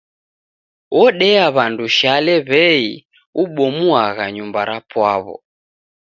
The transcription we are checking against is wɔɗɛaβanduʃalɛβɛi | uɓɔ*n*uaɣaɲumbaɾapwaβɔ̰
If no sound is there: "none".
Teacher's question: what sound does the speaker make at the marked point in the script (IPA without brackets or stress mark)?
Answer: m